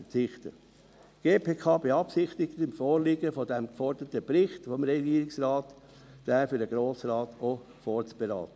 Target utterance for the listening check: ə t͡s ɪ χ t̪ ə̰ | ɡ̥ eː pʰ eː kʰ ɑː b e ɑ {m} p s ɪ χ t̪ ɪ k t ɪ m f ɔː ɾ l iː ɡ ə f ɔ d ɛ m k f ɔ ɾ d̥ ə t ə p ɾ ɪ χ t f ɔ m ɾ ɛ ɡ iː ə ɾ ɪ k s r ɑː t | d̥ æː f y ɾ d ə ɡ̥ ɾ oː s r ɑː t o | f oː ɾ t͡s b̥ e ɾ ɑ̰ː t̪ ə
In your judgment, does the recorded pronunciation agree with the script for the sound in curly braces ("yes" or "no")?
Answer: no